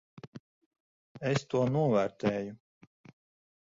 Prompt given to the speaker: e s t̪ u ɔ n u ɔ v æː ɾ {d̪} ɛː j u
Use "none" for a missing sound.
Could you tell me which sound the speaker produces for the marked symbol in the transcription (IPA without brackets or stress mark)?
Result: t̪